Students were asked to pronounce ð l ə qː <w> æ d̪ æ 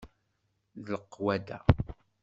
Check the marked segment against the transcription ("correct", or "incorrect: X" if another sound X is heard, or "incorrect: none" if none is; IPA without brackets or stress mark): correct